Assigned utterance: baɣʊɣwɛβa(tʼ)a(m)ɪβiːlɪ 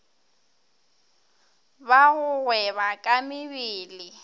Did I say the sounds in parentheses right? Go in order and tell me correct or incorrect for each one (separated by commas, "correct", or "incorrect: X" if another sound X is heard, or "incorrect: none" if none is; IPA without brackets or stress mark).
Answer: incorrect: kʼ, correct